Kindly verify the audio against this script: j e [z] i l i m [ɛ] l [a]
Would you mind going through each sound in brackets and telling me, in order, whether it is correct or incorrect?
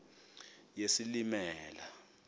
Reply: incorrect: s, incorrect: ɛː, correct

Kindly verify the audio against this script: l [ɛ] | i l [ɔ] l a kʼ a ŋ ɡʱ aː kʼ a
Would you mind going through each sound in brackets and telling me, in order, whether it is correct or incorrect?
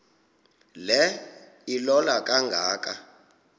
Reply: correct, correct

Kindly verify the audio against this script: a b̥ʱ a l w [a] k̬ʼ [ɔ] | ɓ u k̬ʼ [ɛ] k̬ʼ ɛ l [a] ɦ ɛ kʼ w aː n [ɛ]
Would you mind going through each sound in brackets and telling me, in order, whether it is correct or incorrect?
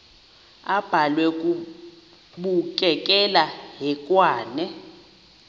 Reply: incorrect: ɛ, incorrect: u, correct, correct, correct

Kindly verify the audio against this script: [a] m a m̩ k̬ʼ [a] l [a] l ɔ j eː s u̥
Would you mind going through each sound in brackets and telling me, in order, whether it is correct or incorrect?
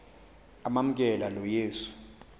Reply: correct, incorrect: ɛ, correct

